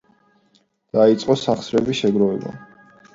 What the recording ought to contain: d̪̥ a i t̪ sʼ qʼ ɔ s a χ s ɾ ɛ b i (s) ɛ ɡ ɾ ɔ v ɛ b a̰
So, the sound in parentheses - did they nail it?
no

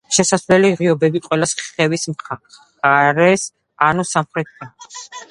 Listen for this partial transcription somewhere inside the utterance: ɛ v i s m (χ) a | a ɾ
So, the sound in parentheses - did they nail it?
yes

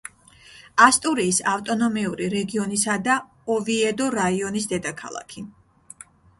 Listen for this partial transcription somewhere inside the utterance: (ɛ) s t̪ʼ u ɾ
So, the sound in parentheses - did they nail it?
no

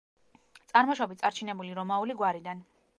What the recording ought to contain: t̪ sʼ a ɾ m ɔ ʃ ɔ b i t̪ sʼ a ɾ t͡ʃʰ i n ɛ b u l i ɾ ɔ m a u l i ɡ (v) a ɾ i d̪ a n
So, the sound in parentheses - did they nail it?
no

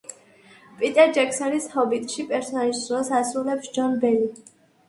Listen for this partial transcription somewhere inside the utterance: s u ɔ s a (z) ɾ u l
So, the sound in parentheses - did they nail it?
no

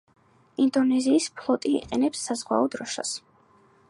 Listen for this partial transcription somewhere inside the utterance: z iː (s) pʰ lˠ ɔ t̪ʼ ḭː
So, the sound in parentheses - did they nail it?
yes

